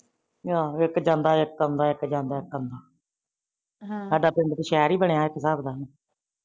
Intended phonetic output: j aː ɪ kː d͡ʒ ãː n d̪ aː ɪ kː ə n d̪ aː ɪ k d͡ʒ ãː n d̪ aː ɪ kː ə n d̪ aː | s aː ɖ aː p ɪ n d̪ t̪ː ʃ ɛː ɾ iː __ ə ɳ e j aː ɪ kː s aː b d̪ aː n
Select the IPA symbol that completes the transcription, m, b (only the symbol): b